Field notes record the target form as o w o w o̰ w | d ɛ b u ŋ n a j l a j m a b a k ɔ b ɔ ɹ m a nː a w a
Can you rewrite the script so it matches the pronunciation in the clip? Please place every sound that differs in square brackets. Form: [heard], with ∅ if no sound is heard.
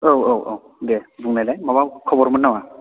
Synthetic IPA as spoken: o w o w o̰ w | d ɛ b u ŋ n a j l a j m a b a [kʰ] ɔ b ɔ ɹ m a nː a w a